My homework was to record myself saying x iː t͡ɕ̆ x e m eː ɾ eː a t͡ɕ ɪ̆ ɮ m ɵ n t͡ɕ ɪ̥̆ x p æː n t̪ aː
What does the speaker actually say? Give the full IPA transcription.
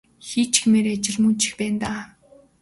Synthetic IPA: x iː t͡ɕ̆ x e m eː ɾ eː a t͡ɕ ɪ̆ ɮ m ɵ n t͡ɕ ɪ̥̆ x p æː n t̪ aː